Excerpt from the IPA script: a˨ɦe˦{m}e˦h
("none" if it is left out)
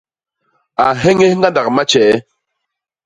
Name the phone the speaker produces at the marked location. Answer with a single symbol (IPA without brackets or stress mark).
ŋ